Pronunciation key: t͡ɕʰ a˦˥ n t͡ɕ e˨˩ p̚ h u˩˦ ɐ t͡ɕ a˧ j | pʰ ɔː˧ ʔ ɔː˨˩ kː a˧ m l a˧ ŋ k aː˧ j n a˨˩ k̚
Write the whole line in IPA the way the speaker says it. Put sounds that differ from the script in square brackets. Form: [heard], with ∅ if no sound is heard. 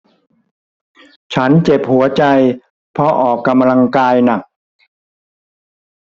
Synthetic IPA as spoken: t͡ɕʰ a˦˥ n t͡ɕ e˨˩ p̚ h u˩˦ ɐ t͡ɕ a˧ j | pʰ [ɔ˧] ʔ ɔː˨˩ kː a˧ m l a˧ ŋ k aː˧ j n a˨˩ k̚